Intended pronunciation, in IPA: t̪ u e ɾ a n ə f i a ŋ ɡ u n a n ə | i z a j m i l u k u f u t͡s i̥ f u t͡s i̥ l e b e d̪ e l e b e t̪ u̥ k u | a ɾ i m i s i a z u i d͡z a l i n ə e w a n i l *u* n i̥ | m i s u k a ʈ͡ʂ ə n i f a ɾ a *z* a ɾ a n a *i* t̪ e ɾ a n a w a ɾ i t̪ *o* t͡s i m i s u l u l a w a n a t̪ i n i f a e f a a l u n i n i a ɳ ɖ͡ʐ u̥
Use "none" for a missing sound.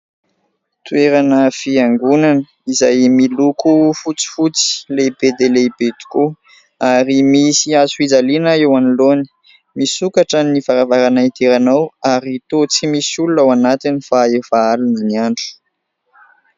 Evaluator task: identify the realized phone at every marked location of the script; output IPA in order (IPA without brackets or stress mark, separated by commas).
o, v, i, o